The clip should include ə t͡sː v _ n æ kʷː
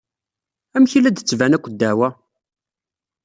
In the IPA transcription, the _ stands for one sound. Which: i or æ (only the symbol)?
æ